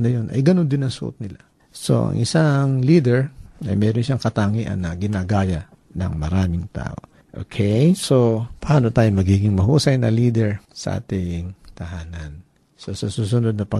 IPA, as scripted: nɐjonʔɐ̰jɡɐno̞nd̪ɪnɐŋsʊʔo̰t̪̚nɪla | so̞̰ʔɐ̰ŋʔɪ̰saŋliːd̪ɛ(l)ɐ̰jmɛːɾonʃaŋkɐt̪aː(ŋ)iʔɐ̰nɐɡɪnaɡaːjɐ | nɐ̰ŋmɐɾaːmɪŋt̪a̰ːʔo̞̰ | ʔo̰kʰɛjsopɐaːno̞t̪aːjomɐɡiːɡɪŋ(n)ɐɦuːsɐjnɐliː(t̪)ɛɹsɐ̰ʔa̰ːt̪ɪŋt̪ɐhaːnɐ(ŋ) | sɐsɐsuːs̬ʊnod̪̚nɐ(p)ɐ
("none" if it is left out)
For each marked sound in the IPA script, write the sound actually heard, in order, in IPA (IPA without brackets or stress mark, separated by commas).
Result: ɹ, ŋ, m, d̪, n, p